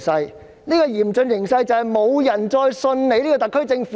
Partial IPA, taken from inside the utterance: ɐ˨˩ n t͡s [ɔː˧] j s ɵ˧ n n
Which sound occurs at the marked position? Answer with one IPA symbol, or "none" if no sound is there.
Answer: ɔː˧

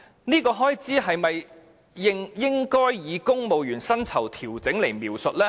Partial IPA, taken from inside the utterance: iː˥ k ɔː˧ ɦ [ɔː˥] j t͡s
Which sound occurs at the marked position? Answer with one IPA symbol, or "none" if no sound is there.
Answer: ɔː˥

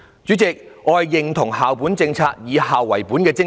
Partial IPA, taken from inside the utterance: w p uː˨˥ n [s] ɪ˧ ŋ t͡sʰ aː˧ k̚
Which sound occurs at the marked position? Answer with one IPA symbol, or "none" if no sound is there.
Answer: t͡s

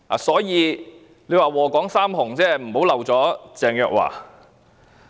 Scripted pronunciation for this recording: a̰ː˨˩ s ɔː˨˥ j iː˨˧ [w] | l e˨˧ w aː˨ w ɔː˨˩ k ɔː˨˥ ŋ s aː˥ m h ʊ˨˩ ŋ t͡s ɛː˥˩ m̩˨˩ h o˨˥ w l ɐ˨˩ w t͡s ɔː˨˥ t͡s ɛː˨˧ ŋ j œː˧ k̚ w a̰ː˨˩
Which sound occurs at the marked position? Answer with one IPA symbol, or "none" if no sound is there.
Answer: none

